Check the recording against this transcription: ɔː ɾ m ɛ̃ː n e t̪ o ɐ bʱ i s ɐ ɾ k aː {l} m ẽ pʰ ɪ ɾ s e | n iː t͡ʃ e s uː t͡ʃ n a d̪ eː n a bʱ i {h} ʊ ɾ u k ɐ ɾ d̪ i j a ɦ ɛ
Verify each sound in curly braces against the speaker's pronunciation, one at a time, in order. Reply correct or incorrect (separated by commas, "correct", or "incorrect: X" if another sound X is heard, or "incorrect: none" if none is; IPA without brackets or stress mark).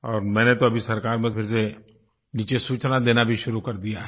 incorrect: ɾ, incorrect: ʃ